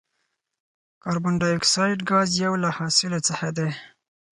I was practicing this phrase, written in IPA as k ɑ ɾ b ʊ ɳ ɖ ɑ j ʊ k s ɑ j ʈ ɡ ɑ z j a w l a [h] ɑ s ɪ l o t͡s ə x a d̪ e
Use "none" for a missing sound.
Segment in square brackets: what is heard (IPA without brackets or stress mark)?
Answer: h